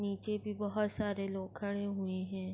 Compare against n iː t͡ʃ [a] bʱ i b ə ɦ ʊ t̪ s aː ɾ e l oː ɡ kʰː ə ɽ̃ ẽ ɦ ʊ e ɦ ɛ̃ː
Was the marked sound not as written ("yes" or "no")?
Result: yes